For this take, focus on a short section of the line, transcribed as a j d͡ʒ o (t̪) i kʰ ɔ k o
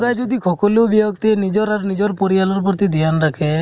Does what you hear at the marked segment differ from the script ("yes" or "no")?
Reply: yes